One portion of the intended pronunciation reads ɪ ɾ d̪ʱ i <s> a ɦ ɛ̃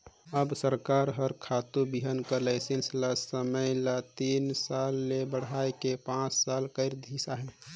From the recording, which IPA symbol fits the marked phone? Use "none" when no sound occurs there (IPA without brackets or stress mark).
s